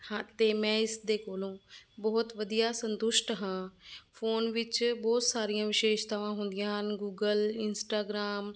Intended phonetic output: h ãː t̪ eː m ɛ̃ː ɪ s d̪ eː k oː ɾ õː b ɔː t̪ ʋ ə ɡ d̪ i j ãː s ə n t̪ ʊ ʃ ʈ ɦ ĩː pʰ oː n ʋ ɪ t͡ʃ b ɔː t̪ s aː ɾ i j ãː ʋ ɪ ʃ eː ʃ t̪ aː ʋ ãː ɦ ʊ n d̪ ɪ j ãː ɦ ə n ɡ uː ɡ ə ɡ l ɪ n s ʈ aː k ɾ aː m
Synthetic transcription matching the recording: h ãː t̪ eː m ɛ̃ː ɪ s d̪ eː k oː l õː b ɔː t̪ ʋ ə d̪ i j aː s ə n t̪ ʊ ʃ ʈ ɦ ãː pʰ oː n ʋ ɪ t͡ʃ b ɔː t̪ s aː ɾ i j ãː ʋ ɪ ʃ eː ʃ t̪ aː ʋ ãː ɦ ʊ n d̪ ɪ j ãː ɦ ə n ɡ uː ɡ ə l ɪ n s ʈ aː ɡ ɾ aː m